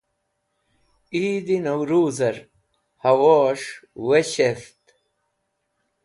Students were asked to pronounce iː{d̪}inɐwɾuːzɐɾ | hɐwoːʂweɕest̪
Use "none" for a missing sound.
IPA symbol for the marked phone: d̪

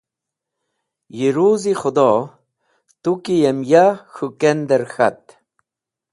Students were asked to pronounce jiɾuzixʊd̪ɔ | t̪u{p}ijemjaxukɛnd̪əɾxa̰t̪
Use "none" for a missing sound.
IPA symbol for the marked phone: k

